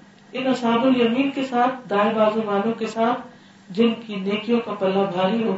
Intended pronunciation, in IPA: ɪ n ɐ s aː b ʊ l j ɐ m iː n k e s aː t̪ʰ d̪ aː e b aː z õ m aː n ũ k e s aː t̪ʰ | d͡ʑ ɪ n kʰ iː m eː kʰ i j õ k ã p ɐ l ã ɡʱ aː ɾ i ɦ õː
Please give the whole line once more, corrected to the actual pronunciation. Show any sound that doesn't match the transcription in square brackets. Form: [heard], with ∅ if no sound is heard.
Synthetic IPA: ɪ n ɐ s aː b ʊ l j ɐ m iː n k e s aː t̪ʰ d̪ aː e b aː z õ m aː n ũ k e s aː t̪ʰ | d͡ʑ ɪ n kʰ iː [n] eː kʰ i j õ k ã p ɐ l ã [bʱ] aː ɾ i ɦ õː